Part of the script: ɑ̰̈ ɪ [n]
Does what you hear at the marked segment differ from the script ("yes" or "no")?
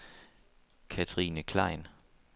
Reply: no